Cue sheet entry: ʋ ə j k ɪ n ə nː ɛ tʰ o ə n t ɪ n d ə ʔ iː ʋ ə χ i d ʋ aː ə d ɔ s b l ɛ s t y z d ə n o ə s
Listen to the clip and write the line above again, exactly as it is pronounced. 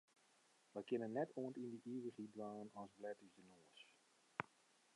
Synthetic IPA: ʋ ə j k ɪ n ə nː ɛ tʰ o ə n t i n d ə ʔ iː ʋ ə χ i d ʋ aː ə n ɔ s b l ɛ t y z d ə n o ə s